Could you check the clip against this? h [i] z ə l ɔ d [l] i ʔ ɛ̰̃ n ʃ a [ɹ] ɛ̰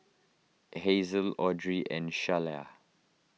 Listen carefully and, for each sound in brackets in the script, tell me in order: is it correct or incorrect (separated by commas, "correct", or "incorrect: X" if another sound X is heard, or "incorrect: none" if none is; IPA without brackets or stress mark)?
incorrect: e, incorrect: ɹ, incorrect: l